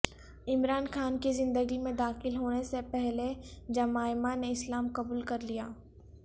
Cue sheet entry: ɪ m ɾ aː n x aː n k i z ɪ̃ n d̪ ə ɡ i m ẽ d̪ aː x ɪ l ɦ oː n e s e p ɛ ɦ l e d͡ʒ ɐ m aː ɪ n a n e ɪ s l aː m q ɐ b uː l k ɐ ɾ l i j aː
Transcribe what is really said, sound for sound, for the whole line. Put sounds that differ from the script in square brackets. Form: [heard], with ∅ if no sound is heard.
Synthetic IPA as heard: ɪ m ɾ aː n x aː n k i z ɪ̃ n d̪ ə ɡ i m ẽ d̪ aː x ɪ l ɦ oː n e s e p ɛ ɦ l e d͡ʒ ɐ m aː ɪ [m] a n e ɪ s l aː m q ɐ b uː l k ɐ ɾ l i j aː